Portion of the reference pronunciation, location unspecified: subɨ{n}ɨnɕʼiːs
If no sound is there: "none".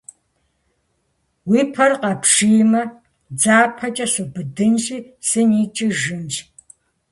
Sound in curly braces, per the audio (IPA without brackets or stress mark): d